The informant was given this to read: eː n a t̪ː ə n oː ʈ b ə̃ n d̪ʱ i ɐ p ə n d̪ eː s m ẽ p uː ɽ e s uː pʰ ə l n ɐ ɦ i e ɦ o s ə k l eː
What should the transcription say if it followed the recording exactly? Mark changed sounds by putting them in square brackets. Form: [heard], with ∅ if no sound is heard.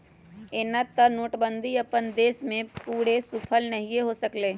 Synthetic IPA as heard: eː n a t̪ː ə n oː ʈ b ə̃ n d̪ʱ i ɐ p ə n d̪ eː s m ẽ p uː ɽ e s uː pʰ ə l n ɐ ɦ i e ɦ o s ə k l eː